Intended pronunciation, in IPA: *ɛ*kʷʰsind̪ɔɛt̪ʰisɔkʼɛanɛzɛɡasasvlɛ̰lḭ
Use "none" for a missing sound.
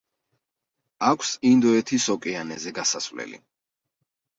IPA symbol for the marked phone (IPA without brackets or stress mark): a